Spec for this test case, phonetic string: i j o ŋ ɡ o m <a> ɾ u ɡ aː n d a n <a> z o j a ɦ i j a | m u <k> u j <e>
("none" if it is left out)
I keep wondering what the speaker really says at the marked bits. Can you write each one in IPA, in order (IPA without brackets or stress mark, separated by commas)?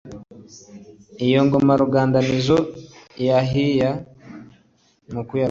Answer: a, i, k, a